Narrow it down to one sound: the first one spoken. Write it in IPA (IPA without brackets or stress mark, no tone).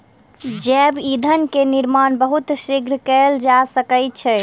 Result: d͡ʒ